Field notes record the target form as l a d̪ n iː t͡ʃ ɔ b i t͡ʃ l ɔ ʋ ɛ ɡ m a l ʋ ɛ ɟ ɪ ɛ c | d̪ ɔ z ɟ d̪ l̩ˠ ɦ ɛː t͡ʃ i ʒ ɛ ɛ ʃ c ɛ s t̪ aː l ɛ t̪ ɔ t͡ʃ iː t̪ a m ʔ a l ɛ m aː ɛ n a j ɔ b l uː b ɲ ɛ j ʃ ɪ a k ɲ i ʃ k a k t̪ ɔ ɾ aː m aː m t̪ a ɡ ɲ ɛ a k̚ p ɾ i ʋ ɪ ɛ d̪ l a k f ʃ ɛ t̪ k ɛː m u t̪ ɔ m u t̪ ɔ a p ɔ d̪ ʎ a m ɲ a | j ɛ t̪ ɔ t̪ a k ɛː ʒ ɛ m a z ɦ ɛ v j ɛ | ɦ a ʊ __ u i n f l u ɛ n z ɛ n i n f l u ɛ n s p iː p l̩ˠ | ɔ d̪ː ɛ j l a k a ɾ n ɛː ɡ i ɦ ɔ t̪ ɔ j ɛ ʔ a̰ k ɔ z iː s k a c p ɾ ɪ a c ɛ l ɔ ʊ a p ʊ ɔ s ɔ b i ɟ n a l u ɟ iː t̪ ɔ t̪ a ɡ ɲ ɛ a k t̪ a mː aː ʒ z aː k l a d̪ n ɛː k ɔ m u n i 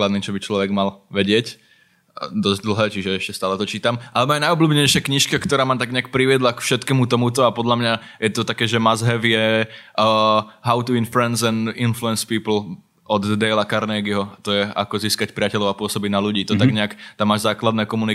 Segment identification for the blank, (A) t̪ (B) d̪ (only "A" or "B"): A